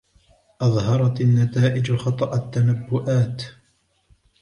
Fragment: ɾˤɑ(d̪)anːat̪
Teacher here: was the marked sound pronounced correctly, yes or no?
no